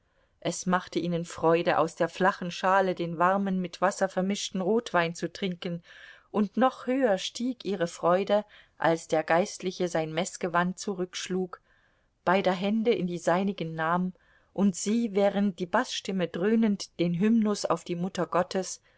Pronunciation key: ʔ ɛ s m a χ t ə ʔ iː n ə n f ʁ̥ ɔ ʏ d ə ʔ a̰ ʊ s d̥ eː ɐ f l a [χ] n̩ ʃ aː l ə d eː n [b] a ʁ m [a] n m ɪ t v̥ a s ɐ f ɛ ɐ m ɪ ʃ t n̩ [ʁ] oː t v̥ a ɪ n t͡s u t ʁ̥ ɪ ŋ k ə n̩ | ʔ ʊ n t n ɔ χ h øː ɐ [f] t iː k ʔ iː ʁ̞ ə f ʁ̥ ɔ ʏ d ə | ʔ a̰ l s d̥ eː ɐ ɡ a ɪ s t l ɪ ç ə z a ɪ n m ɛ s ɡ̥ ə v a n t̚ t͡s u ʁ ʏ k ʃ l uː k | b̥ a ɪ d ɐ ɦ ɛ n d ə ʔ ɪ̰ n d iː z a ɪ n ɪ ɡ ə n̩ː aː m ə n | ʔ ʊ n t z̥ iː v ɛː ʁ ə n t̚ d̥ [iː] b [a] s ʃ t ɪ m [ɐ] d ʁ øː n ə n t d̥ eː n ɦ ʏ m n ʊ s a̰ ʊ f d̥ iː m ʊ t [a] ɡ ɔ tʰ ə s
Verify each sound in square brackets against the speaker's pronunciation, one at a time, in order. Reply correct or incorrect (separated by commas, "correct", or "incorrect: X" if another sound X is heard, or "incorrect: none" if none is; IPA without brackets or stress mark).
correct, incorrect: v, incorrect: ə, correct, incorrect: ʃ, correct, correct, incorrect: ə, incorrect: ɐ